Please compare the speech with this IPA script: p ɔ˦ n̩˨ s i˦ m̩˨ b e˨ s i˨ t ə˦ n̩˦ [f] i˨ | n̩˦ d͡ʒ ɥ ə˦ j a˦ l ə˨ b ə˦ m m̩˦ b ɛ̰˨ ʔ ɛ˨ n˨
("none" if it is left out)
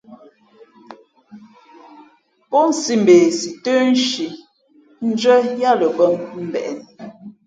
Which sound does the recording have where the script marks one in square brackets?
ʃ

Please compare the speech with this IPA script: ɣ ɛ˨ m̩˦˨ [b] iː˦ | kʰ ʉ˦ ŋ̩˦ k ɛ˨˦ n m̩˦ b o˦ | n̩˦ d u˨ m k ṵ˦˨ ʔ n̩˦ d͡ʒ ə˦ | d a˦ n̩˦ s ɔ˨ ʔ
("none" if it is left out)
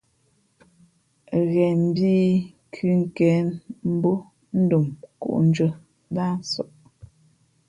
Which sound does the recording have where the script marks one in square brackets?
b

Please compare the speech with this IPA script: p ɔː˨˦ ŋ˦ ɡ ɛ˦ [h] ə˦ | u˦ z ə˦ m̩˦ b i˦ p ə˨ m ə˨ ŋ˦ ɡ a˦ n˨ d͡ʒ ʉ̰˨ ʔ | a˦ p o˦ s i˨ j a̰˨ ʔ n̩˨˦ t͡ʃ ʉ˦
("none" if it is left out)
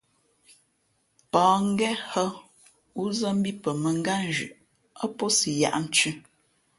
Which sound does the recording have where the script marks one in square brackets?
h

